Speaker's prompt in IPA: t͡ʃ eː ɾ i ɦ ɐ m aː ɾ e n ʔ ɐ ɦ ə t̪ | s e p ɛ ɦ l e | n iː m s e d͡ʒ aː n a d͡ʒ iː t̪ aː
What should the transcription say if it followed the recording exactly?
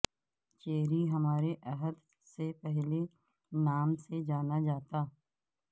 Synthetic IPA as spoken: t͡ʃ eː ɾ i ɦ ɐ m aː ɾ e ʔ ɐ ɦ ə d̪ | s e p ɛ ɦ l e | n aː m s e d͡ʒ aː n a d͡ʒ aː t̪ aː